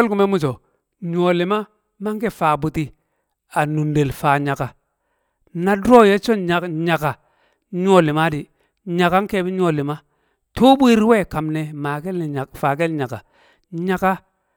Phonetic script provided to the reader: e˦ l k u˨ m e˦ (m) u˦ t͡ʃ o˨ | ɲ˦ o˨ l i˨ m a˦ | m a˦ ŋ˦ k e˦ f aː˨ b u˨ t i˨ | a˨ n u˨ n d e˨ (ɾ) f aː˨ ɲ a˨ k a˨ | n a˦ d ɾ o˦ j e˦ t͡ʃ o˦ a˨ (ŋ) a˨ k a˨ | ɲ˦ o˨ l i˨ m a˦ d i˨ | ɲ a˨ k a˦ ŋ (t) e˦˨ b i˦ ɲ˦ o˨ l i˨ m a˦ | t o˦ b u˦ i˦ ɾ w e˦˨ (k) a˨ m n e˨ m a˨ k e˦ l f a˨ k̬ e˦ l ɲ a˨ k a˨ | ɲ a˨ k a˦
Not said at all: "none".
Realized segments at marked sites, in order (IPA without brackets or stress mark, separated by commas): m, l, ɲ, k, k